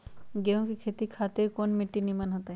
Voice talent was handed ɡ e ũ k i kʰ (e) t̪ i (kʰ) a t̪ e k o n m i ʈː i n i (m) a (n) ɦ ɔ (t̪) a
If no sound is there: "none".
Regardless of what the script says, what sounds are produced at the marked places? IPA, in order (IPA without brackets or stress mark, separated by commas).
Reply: e, kʰ, m, n, t̪